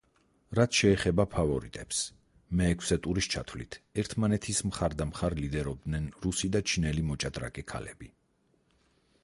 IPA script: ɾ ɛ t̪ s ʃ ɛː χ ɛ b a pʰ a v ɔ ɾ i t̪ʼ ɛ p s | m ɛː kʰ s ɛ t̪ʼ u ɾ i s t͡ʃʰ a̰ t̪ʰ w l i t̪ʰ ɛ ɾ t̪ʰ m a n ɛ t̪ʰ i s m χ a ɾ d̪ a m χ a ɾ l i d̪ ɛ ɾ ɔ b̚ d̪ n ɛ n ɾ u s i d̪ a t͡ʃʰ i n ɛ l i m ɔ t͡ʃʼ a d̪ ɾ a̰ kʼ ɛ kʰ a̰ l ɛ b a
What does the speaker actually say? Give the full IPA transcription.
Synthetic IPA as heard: ɾ a t̪ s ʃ ɛː χ ɛ b a pʰ a v ɔ ɾ i t̪ʼ ɛ p s | m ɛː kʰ s ɛ t̪ʼ u ɾ i s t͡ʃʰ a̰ t̪ʰ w l i t̪ʰ ɛ ɾ t̪ʰ m a n ɛ t̪ʰ i s m χ a ɾ d̪ a m χ a ɾ l i d̪ ɛ ɾ ɔ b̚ d̪ n ɛ n ɾ u s i d̪ a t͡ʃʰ i n ɛ l i m ɔ t͡ʃʼ a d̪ ɾ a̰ kʼ ɛ kʰ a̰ l ɛ b i

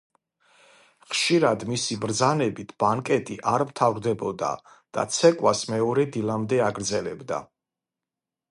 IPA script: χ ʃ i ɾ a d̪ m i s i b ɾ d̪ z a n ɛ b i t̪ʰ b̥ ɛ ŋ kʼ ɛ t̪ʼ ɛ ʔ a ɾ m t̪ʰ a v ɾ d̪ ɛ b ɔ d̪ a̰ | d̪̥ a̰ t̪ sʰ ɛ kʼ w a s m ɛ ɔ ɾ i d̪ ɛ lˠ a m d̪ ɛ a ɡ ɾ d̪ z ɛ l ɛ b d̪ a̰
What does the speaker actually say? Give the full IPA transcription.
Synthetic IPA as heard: χ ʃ i ɾ a d̪ m i s i b ɾ d̪ z a n ɛ b i t̪ʰ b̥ a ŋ kʼ ɛ t̪ʼ i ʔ a ɾ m t̪ʰ a v ɾ d̪ ɛ b ɔ d̪ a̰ | d̪̥ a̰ t̪ sʰ ɛ kʼ w a s m ɛ ɔ ɾ ɛ d̪ i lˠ a m d̪ ɛ a ɡ ɾ d̪ z ɛ l ɛ b d̪ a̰

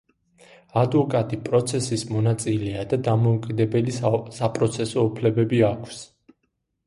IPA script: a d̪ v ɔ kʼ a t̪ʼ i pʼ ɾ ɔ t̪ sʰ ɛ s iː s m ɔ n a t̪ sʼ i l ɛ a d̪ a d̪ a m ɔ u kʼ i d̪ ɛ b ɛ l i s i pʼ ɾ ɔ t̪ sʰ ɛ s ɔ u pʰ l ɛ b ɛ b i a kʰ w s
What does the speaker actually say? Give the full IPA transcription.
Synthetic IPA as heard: a d̪ v ɔ kʼ a t̪ʼ i pʼ ɾ ɔ t̪ sʰ ɛ s i s m ɔ n a t̪ sʼ i l ɛ a d̪ a d̪ a m ɔ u kʼ i d̪ ɛ b ɛ l i s a pʼ ɾ ɔ t̪ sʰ ɛ s ɔ u pʰ l ɛ b ɛ b i a kʰ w s

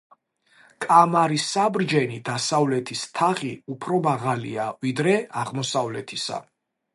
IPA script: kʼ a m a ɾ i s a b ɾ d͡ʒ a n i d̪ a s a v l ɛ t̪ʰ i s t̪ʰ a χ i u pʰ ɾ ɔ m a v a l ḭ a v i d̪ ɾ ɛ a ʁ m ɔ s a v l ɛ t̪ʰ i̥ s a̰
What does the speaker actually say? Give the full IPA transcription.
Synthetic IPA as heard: kʼ a m a ɾ i s a b ɾ d͡ʒ ɛ n i d̪ a s a v l ɛ t̪ʰ i s t̪ʰ a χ i u pʰ ɾ ɔ m a ʁ a l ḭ a v i d̪ ɾ ɛ a ʁ m ɔ s a v l ɛ t̪ʰ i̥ s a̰

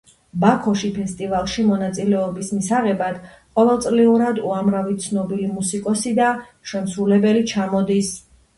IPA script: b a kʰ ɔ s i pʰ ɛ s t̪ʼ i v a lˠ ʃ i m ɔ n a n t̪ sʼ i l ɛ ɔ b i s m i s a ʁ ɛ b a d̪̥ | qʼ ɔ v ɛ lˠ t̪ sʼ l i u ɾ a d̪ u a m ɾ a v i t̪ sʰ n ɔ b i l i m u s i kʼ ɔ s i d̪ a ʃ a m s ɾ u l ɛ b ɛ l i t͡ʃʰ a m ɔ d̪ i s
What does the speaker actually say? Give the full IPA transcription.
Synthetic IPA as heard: b a kʰ ɔ ʃ i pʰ ɛ s t̪ʼ i v a lˠ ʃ i m ɔ n a t̪ sʼ i l ɛ ɔ b i s m i s a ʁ ɛ b a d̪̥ | qʼ ɔ v ɛ lˠ t̪ sʼ l i u ɾ a d̪ u a m ɾ a v i t̪ sʰ n ɔ b i l i m u s i kʼ ɔ s i d̪ a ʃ ɛ m s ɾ u l ɛ b ɛ l i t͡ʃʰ a m ɔ d̪ i s

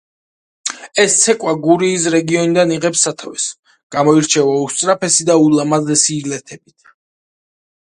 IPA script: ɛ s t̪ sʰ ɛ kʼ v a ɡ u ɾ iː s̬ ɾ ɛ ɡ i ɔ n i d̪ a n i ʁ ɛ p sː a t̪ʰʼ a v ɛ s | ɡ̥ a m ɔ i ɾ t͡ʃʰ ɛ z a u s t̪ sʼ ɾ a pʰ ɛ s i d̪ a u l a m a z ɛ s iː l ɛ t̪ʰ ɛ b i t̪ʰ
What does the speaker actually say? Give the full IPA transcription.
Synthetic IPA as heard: ɛ s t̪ sʰ ɛ kʼ w a ɡ u ɾ iː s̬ ɾ ɛ ɡ i ɔ n i d̪ a n i ʁ ɛ p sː a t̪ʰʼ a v ɛ s | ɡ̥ a m ɔ i ɾ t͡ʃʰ ɛ v a u s t̪ sʼ ɾ a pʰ ɛ s i d̪ a u l a m a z ɛ s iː l ɛ t̪ʰ ɛ b i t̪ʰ

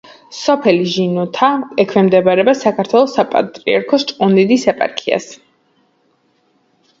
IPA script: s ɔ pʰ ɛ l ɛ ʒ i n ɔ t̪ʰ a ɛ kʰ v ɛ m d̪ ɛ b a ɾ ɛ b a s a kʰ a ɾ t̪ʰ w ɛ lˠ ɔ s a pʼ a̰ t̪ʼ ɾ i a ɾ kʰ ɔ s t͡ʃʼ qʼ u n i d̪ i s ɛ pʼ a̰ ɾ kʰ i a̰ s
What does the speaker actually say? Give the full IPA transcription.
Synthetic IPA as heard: s ɔ pʰ ɛ l i ʒ i n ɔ t̪ʰ a ɛ kʰ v ɛ m d̪ ɛ b a ɾ ɛ b a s a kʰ a ɾ t̪ʰ w ɛ lˠ ɔ s a pʼ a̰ t̪ʼ ɾ i a ɾ kʰ ɔ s t͡ʃʼ qʼ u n i d̪ i s ɛ pʼ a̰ ɾ kʰ i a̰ s

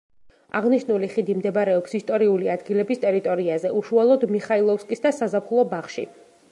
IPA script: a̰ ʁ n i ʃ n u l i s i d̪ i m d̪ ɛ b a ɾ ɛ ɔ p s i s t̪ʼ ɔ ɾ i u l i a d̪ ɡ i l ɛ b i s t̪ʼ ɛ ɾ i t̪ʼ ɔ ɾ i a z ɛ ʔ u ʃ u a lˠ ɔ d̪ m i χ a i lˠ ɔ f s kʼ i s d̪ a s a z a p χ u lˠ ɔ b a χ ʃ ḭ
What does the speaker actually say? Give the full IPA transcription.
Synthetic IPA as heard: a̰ ʁ n i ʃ n u l i χ i d̪ i m d̪ ɛ b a ɾ ɛ ɔ p s i s t̪ʼ ɔ ɾ i u l i a d̪ ɡ i l ɛ b i s t̪ʼ ɛ ɾ i t̪ʼ ɔ ɾ i a z ɛ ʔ u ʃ u a lˠ ɔ d̪ m i χ a i lˠ ɔ f s kʼ i s d̪ a s a z a p χ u lˠ ɔ b a χ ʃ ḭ

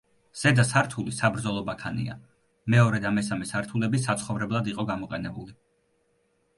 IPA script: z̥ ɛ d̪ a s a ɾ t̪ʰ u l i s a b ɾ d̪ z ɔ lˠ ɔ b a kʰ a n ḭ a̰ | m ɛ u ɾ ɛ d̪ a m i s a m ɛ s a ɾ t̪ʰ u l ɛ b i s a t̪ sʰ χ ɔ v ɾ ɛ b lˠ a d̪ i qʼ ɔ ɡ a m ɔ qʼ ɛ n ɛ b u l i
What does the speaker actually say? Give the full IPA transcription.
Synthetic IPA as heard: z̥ ɛ d̪ a s a ɾ t̪ʰ u l i s a b ɾ d̪ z ɔ lˠ ɔ b a kʰ a n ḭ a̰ | m ɛ ɔ ɾ ɛ d̪ a m ɛ s a m ɛ s a ɾ t̪ʰ u l ɛ b i s a t̪ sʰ χ ɔ v ɾ ɛ b lˠ a d̪ i qʼ ɔ ɡ a m ɔ qʼ ɛ n ɛ b u l i

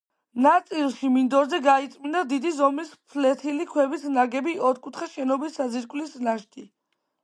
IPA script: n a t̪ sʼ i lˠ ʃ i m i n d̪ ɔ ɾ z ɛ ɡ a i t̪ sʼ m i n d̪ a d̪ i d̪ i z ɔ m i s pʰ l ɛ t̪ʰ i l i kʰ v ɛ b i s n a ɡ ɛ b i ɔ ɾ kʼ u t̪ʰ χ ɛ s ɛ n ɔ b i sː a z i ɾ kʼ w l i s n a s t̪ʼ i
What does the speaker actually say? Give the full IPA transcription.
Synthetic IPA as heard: n a t̪ sʼ i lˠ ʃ i m i n d̪ ɔ ɾ z ɛ ɡ a i t̪ sʼ m i n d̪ a d̪ i d̪ i z ɔ m i s pʰ l ɛ t̪ʰ i l i kʰ w ɛ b i s n a ɡ ɛ b i ɔ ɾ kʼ u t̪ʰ χ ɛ ʃ ɛ n ɔ b i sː a z i ɾ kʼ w l i s n a ʃ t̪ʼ i

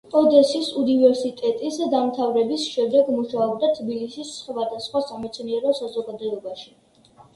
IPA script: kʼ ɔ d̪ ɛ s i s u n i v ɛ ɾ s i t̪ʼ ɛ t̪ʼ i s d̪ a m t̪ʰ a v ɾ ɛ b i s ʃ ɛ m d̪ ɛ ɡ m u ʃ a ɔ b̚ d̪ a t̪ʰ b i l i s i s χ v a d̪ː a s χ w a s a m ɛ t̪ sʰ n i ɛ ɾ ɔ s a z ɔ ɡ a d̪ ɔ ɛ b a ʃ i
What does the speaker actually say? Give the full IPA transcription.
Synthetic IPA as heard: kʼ ɔ d̪ ɛ s i s u n i v ɛ ɾ s i t̪ʼ ɛ t̪ʼ i s d̪ a m t̪ʰ a v ɾ ɛ b i s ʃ ɛ m d̪ ɛ ɡ m u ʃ a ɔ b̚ d̪ a t̪ʰ b i l i s i s χ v a d̪ a s χ w a s a m ɛ t̪ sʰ n i ɛ ɾ ɔ s a z ɔ ɡ a d̪ ɔ ɛ b a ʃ i

